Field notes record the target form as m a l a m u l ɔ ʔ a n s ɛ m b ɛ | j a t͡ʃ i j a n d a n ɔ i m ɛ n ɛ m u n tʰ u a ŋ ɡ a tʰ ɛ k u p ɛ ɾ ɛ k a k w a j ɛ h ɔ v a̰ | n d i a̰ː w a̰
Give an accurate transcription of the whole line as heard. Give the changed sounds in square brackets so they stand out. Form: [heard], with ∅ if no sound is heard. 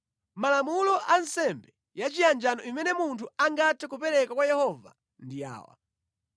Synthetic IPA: m a l a m u l ɔ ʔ a n s ɛ m b ɛ | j a t͡ʃ i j a n [d͡ʒ] a n ɔ i m ɛ n ɛ m u n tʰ u a ŋ ɡ a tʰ ɛ k u p ɛ ɾ ɛ k a k w a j ɛ h ɔ v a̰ | n d i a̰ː w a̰